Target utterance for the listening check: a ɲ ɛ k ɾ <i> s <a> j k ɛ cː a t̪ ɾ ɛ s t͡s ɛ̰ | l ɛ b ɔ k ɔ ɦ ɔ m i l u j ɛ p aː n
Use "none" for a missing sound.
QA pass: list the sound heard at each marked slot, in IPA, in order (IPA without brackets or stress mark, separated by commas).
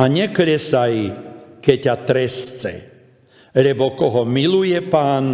ɛ, a